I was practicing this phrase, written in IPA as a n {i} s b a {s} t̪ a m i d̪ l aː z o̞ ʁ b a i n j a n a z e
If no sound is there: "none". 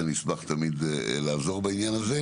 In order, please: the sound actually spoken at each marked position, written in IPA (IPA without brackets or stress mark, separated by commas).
i, χ